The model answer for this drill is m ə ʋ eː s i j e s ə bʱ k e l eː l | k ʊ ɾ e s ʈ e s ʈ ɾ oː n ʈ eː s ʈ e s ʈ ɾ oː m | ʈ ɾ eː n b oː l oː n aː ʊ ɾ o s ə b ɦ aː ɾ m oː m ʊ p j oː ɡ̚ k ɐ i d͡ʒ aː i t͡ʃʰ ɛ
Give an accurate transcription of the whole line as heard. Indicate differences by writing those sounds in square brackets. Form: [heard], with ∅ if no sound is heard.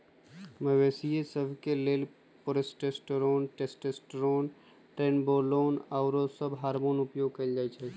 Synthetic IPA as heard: m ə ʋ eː s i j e s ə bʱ k e l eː l | [p] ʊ ɾ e s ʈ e s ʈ ɾ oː n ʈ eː s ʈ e s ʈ ɾ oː [n] | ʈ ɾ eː n b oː l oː n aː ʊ ɾ o s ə b ɦ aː ɾ m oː [n] ʊ p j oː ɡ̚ k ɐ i d͡ʒ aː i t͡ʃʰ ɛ